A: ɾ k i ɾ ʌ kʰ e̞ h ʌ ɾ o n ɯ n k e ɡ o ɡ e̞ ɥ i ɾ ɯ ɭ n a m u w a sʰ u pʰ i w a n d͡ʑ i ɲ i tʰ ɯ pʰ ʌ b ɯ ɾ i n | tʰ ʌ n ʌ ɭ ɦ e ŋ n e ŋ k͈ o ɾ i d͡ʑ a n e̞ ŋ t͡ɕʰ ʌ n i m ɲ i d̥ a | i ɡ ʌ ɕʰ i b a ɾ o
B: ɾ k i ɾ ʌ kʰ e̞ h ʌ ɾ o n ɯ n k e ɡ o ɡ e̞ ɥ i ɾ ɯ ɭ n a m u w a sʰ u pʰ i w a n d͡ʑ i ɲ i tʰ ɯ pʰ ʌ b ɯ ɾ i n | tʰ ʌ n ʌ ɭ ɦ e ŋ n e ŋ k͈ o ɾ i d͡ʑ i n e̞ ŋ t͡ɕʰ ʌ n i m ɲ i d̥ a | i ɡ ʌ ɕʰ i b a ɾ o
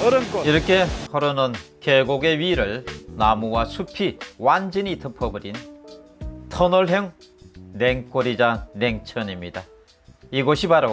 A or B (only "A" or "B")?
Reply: A